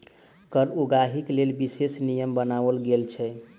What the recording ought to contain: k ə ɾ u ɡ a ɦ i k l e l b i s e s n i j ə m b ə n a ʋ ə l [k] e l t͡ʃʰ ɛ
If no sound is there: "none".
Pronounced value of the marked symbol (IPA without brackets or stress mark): ɡ